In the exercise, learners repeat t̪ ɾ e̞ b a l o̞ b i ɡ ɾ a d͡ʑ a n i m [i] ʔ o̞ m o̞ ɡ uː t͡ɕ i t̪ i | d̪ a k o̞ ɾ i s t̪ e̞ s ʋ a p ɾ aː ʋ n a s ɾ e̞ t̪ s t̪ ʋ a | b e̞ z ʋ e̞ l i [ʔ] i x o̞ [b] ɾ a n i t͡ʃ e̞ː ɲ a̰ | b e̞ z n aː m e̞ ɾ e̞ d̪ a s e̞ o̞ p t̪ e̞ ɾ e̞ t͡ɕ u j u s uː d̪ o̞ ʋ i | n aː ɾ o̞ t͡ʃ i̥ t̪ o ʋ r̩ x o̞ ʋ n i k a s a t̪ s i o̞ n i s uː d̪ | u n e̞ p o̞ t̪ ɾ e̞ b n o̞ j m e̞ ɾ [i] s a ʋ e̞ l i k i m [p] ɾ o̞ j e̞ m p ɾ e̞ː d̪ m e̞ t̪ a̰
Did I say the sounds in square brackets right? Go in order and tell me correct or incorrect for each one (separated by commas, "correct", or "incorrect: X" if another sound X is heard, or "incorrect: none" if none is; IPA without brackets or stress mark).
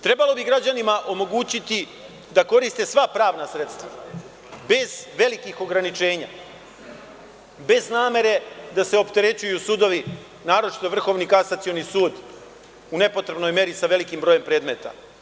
incorrect: a, incorrect: k, incorrect: ɡ, correct, incorrect: b